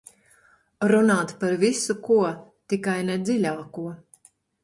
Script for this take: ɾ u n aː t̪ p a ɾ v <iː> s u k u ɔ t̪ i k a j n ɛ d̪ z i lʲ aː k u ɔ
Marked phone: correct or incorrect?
incorrect